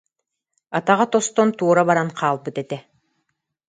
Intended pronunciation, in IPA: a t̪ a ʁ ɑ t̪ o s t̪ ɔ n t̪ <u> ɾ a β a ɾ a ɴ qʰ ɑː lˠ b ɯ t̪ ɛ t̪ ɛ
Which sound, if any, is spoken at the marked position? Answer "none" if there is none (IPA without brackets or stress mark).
uː